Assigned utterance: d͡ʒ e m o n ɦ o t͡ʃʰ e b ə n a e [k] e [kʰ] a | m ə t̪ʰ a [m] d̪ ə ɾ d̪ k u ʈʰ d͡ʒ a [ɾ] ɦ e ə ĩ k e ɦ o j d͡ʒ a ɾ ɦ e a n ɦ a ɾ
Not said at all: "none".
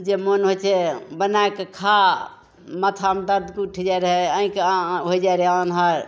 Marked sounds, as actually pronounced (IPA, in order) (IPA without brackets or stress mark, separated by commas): k, kʰ, m, ɾ